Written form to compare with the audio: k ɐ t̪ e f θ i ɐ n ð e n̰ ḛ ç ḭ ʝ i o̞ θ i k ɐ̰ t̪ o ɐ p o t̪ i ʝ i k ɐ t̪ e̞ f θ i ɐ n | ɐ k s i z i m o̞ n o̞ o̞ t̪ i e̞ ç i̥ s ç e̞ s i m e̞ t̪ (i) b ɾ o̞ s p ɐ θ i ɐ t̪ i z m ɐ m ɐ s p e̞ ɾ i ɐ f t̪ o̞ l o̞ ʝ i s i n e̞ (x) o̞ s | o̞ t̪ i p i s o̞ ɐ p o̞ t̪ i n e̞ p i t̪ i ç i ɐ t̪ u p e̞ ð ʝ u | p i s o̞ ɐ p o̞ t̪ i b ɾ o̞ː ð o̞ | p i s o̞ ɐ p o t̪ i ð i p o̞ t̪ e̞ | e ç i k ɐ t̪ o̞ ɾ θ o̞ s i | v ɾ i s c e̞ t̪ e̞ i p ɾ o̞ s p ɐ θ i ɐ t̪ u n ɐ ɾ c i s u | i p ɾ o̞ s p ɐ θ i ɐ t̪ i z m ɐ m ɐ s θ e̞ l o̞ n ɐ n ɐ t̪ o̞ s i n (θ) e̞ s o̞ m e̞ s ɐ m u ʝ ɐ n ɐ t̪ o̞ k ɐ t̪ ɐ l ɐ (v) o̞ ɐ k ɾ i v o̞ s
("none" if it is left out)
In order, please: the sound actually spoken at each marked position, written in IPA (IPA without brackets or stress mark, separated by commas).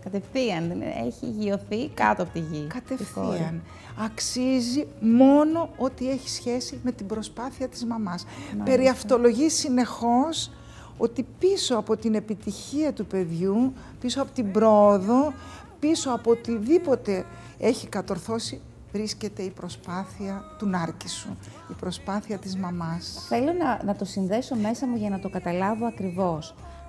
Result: i, x, ð, v